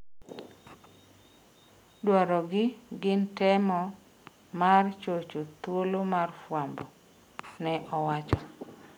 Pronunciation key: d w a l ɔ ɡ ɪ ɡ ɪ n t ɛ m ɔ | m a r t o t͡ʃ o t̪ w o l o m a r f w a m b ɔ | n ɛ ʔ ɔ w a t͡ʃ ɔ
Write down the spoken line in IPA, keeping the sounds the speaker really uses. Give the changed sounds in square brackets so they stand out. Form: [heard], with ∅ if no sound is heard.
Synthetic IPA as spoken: d w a [ɾ] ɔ ɡ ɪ ɡ ɪ n t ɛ m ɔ | m a r [t͡ʃ] o t͡ʃ o t̪ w o l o m a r f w a m b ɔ | n ɛ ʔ ɔ w a t͡ʃ ɔ